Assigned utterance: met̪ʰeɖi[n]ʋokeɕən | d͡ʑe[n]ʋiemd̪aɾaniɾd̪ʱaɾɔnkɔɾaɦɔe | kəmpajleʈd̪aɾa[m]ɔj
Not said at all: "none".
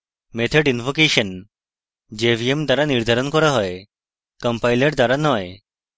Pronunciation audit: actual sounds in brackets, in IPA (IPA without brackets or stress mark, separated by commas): n, none, n